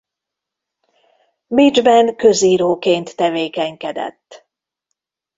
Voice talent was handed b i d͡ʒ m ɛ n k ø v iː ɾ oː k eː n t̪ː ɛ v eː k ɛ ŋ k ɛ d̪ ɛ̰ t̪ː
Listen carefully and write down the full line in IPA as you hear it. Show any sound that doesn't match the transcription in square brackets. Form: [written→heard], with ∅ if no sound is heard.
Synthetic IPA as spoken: b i d͡ʒ [m→b] ɛ n k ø [v→z] iː ɾ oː k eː n t̪ː ɛ v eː k ɛ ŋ k ɛ d̪ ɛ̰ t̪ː